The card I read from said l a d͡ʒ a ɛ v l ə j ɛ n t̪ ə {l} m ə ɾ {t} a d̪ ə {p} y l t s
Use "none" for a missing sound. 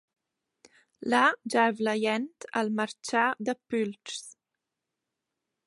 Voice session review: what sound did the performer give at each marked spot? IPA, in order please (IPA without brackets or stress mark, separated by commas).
l, t͡ʃ, p